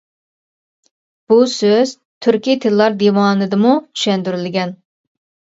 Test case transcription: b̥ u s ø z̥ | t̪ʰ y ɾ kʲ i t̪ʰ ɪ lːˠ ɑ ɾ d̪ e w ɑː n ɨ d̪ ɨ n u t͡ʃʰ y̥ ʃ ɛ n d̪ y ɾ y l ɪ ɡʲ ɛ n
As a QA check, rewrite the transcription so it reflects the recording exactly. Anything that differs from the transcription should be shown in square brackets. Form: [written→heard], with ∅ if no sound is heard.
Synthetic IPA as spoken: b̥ u s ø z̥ | t̪ʰ y ɾ kʲ i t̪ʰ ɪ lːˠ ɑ ɾ d̪ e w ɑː n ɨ d̪ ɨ [n→m] u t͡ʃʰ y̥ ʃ ɛ n d̪ y ɾ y l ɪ ɡʲ ɛ n